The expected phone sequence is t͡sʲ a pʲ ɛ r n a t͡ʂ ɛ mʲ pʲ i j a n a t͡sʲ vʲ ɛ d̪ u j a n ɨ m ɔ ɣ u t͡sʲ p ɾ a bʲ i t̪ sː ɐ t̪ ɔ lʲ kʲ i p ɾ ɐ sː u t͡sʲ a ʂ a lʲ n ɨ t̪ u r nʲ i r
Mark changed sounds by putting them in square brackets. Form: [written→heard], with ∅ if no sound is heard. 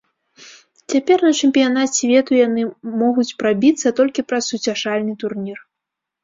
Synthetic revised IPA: t͡sʲ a pʲ ɛ r n [a→ɐ] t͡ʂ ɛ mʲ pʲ i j a n a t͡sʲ vʲ ɛ [d̪→t̪] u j a n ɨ m ɔ ɣ u t͡sʲ p ɾ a bʲ i t̪ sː ɐ t̪ ɔ lʲ kʲ i p ɾ ɐ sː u t͡sʲ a ʂ a lʲ n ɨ t̪ u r nʲ i r